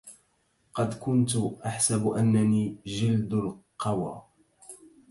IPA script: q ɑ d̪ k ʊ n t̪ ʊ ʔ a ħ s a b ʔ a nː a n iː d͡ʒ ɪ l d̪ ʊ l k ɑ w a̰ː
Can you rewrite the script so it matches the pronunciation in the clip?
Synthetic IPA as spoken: q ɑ d̪ k ʊ n t̪ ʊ ʔ a ħ s a b ʔ a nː a n iː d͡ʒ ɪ l d̪ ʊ l q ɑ w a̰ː